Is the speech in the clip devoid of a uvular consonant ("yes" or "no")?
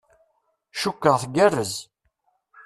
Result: no